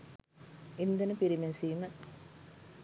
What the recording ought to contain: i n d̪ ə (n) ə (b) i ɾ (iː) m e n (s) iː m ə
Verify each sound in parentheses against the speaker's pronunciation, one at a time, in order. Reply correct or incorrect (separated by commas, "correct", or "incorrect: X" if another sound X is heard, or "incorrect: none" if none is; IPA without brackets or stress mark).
correct, incorrect: p, incorrect: i, correct